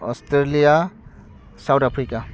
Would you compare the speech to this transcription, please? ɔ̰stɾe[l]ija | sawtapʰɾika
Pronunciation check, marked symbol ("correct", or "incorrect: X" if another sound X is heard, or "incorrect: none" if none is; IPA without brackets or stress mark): correct